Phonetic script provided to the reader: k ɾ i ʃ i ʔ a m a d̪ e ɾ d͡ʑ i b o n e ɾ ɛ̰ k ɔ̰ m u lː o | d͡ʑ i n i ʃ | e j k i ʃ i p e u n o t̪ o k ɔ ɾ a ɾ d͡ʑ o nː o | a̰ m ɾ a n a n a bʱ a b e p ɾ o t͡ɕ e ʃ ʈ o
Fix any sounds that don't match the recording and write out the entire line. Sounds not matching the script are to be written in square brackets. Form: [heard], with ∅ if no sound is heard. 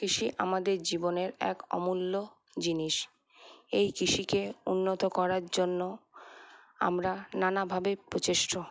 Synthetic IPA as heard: k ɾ i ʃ i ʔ a m a d̪ e ɾ d͡ʑ i b o n e ɾ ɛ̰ k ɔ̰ m u lː o | d͡ʑ i n i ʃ | e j k i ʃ i [k] e u [nː] o t̪ o k ɔ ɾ a ɾ d͡ʑ o nː o | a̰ m ɾ a n a n a bʱ a b e p ɾ o t͡ɕ e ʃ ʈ o